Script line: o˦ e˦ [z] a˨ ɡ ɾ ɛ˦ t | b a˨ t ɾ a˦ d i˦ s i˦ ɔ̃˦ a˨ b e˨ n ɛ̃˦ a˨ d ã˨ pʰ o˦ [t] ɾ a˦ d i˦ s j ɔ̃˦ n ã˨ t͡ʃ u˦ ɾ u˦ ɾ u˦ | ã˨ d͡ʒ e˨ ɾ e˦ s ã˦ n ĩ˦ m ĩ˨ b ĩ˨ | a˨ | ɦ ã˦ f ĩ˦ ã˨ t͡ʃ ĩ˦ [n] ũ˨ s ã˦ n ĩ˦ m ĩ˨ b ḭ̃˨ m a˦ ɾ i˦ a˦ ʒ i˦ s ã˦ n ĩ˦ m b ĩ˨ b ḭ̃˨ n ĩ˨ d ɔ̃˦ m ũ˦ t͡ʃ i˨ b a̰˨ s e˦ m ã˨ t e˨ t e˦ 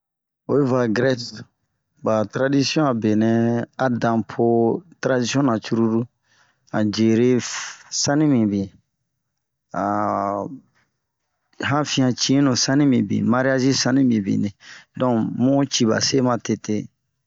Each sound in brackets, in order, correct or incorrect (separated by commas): incorrect, correct, correct